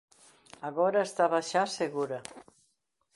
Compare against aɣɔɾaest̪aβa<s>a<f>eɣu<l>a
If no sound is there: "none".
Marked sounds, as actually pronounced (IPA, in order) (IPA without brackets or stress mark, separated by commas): ʃ, s, ɾ